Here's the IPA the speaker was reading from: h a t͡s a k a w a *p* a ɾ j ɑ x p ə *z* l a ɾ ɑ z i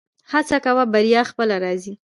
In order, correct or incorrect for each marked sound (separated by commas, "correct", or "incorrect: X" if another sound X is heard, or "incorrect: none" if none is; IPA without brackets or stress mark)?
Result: incorrect: b, incorrect: none